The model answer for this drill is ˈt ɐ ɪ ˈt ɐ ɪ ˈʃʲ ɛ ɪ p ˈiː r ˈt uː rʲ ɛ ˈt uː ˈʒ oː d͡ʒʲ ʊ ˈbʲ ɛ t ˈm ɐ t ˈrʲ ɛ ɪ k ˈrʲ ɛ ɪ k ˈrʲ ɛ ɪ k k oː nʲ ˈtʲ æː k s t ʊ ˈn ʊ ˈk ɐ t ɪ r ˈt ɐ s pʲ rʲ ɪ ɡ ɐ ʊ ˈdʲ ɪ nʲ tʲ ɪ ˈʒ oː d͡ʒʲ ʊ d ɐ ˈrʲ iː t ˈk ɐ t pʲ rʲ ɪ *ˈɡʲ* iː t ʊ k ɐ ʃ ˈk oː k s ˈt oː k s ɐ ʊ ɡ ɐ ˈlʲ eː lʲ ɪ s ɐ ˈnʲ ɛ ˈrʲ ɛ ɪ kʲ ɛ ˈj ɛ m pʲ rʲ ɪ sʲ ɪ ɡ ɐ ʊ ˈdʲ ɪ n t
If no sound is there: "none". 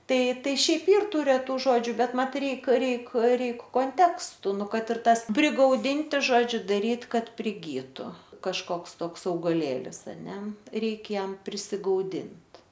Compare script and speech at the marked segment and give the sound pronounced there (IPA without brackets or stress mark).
ɡʲ